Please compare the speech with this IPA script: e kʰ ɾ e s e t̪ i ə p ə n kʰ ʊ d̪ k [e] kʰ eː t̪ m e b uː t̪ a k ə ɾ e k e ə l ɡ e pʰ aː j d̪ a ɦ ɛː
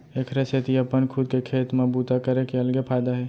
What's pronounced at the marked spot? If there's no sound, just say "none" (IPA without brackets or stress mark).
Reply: e